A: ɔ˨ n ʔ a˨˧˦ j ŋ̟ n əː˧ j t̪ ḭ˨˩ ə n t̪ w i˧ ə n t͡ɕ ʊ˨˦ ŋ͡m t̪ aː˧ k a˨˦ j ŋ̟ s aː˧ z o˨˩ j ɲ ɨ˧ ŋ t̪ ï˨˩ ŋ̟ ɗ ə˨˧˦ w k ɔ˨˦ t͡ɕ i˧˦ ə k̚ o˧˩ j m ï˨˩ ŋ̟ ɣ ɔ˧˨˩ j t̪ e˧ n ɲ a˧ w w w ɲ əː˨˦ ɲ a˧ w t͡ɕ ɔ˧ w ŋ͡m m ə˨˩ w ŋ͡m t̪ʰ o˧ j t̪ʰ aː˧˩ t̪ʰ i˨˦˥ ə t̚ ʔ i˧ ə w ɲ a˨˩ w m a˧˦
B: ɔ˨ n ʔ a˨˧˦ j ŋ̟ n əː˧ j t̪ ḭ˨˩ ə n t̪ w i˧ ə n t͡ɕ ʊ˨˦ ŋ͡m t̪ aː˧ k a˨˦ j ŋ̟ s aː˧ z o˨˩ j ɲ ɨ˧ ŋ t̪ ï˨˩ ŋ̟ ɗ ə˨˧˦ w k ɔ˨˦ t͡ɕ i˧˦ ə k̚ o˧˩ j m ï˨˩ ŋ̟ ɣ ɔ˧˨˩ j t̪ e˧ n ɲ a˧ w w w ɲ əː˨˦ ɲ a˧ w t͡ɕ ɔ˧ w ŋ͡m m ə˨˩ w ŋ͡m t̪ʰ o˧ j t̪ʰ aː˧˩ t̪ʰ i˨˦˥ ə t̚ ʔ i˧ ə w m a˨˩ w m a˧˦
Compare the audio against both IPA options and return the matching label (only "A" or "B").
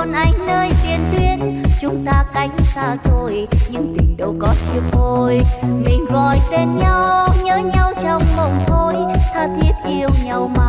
A